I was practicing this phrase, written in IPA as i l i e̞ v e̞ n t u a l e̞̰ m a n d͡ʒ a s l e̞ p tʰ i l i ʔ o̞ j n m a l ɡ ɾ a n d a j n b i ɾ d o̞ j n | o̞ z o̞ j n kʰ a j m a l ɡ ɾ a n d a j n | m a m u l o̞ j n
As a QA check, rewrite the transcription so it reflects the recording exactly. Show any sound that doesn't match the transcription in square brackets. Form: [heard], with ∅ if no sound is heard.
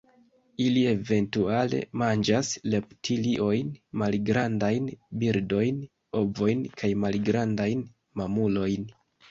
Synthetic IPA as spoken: i l i e̞ v e̞ n t u a l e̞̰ m a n d͡ʒ a s l e̞ p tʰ i l i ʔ o̞ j n m a l ɡ ɾ a n d a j n b i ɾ d o̞ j n | o̞ [v] o̞ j n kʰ a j m a l ɡ ɾ a n d a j n | m a m u l o̞ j n